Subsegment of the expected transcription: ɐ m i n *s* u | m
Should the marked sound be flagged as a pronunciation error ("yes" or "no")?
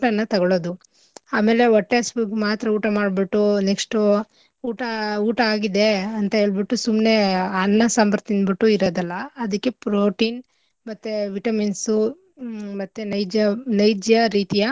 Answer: no